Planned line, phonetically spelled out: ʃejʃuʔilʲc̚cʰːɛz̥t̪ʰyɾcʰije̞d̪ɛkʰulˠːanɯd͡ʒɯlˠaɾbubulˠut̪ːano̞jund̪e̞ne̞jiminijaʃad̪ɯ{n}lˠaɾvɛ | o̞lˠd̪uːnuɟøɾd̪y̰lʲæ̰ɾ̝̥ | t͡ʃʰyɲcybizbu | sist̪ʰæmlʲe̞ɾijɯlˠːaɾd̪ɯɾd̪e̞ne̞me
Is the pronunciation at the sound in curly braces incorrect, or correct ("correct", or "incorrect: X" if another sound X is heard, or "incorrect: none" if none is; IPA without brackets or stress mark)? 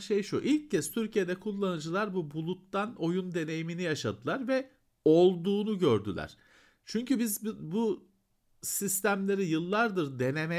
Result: incorrect: none